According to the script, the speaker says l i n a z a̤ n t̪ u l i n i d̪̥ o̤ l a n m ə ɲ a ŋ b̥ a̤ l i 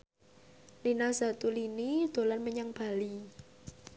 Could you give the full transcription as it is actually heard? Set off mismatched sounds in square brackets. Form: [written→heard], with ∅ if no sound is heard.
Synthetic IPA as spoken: l i n a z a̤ [n→∅] t̪ u l i n i d̪̥ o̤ l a n m ə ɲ a ŋ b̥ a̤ l i